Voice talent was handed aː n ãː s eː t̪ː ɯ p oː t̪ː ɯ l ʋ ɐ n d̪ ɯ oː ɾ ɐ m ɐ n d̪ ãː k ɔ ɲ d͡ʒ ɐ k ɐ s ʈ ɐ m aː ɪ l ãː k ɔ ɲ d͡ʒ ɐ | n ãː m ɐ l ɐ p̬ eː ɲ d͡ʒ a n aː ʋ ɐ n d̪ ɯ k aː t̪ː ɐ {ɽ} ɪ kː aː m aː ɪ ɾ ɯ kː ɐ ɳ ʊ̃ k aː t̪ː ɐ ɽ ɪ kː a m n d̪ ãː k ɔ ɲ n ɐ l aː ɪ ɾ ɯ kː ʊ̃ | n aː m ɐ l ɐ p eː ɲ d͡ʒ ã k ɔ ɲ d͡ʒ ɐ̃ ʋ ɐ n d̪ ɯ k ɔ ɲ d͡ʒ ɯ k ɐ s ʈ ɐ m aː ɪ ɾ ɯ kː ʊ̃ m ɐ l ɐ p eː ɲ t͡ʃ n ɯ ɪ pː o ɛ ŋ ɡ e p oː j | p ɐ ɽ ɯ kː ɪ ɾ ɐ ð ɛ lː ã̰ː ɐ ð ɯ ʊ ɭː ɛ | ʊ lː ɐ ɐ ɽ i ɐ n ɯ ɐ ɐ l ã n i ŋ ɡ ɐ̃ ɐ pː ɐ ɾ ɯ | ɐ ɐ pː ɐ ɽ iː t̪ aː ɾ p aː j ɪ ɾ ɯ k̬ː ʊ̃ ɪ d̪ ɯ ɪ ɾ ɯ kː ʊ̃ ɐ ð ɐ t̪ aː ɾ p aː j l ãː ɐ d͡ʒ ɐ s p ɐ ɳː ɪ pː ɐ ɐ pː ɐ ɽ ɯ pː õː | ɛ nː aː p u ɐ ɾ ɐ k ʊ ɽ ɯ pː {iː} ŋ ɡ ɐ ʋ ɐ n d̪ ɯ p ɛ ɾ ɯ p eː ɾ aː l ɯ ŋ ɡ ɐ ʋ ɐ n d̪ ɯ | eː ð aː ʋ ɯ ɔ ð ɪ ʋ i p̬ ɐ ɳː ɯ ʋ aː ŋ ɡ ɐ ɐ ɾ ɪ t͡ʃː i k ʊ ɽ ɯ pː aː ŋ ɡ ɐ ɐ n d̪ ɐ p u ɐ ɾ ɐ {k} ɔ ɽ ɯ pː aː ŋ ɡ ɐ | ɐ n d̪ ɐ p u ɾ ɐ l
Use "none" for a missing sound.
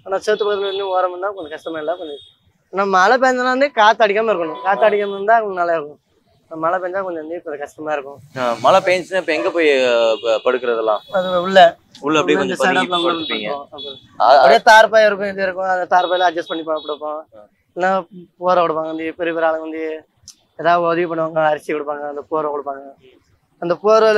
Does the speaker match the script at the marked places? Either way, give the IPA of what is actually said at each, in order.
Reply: ɽ, aː, k

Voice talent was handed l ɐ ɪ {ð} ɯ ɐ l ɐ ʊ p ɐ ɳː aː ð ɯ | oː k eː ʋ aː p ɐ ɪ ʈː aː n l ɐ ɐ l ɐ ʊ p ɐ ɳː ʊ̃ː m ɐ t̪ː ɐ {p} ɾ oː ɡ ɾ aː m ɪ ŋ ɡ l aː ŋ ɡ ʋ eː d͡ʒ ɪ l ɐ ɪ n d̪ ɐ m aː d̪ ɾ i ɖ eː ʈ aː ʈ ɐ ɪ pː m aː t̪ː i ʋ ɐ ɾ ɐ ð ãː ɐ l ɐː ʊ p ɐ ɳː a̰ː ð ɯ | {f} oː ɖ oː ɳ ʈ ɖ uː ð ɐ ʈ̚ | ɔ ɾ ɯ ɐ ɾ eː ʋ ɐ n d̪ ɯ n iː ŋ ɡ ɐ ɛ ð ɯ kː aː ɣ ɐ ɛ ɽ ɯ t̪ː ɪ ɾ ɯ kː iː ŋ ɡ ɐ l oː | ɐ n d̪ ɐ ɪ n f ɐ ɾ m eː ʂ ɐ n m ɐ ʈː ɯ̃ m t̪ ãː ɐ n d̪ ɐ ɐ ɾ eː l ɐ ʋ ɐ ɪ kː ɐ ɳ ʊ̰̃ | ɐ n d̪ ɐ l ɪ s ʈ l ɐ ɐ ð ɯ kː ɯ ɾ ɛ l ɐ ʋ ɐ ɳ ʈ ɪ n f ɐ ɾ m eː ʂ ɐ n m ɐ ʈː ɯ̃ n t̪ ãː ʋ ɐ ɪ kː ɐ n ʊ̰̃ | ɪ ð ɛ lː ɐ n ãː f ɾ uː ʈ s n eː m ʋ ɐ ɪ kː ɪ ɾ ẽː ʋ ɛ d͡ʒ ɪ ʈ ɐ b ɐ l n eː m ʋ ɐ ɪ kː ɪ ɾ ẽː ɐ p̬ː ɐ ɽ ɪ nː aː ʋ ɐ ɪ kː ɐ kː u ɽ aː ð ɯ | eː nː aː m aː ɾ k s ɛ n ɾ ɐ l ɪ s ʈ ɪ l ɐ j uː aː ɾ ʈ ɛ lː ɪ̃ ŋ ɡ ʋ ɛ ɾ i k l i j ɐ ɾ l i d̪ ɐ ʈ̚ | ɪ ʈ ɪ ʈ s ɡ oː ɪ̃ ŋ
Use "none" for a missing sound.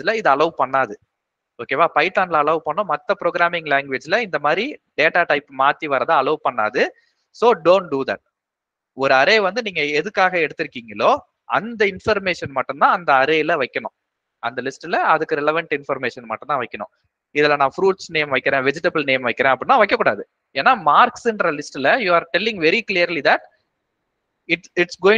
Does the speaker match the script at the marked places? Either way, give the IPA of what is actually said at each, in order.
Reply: ð, p, s

